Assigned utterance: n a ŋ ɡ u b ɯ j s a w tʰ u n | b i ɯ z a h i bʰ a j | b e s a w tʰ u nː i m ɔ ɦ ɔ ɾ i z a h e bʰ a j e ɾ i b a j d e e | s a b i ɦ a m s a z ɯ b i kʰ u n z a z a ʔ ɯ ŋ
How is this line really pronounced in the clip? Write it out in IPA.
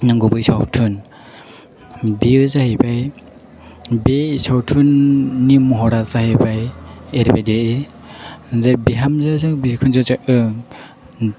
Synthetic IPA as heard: n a ŋ ɡ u b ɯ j s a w tʰ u n | b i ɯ z a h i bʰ a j | b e s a w tʰ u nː i m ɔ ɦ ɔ ɾ a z a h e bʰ a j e ɾ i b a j d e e | z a b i ɦ a m z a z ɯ b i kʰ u n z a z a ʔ ɯ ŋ